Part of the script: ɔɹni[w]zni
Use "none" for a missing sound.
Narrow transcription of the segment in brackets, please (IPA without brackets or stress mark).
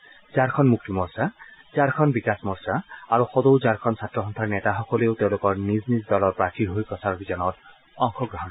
none